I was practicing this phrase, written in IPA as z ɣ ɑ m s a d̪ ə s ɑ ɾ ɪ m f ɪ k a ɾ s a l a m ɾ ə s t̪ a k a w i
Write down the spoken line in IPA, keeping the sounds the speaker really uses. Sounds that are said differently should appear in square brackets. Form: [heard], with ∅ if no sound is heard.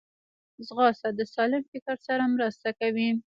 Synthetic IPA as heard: z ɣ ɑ [∅] s a d̪ ə s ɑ [l] ɪ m f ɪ k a ɾ s a [ɾ] a m ɾ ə s t̪ a k a w i